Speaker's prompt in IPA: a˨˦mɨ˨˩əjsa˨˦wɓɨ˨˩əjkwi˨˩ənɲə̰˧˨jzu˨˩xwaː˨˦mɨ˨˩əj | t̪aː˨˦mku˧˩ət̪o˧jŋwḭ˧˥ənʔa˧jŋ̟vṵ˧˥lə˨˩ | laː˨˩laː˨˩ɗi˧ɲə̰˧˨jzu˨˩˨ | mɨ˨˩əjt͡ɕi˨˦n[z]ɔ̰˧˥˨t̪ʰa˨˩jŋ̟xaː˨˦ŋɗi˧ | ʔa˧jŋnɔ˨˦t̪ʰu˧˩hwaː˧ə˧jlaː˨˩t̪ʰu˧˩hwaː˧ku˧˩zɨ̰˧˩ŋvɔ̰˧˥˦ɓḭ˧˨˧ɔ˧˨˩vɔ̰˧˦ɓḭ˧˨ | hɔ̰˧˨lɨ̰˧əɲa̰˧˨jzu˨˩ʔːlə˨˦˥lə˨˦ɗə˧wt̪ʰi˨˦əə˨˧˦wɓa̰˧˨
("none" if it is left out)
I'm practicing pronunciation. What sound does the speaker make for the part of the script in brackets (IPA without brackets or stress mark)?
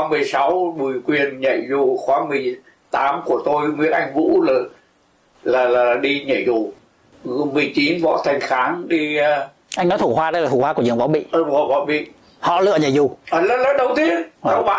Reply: v